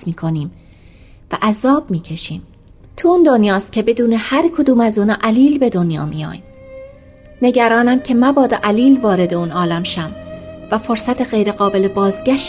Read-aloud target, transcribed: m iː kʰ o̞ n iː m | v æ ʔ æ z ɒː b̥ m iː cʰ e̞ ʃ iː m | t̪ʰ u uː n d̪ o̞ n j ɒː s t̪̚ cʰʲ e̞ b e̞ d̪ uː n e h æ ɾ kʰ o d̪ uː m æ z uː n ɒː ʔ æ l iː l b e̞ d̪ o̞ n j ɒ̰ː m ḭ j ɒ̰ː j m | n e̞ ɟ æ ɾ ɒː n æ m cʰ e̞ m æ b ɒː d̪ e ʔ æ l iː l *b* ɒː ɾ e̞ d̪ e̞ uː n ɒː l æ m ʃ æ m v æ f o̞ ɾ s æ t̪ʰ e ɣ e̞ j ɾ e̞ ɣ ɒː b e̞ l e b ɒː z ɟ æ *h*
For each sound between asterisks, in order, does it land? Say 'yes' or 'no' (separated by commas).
no, no